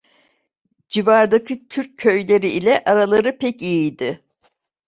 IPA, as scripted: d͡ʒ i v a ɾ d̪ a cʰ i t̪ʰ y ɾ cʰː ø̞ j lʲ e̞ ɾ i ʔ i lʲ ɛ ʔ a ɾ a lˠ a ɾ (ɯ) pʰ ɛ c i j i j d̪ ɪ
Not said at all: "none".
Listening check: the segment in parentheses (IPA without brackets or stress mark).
ɯ